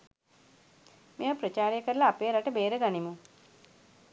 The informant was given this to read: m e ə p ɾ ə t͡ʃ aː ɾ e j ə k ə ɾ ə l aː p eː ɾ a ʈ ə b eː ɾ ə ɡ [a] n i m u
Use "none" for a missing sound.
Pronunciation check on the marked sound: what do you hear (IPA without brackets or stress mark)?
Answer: a